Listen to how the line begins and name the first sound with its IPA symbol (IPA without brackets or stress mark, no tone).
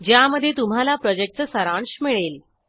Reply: d͡ʑ